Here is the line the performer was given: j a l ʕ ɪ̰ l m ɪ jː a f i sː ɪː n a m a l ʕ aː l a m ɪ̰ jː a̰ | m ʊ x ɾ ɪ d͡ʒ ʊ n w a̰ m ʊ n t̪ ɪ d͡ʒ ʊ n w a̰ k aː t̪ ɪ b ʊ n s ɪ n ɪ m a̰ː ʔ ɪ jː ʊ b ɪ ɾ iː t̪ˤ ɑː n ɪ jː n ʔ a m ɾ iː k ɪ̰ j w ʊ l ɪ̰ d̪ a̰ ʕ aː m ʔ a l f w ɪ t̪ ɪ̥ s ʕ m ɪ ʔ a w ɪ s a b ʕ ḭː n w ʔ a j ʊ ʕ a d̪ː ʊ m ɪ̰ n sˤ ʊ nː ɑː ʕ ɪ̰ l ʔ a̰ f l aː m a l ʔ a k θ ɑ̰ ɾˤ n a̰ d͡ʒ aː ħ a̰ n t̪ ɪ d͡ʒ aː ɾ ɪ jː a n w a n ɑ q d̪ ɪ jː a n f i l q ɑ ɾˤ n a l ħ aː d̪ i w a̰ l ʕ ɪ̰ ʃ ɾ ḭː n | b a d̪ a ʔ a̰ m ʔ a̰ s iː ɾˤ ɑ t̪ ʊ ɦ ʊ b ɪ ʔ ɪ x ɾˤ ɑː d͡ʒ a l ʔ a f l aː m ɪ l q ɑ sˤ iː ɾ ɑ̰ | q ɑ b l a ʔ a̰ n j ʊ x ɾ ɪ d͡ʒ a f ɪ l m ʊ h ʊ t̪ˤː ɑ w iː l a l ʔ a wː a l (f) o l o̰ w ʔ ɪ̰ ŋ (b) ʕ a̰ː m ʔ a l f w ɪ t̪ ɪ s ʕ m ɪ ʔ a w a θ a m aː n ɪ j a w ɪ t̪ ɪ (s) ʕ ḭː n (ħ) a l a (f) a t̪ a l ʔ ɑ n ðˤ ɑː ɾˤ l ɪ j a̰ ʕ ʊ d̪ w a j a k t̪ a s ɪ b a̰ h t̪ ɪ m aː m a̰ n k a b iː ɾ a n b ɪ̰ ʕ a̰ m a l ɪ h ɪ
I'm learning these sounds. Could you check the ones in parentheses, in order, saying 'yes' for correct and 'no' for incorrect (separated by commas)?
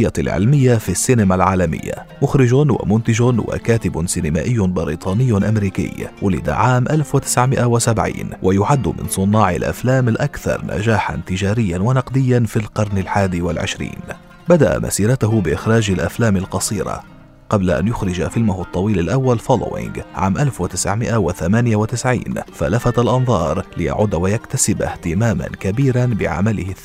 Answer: yes, no, yes, no, yes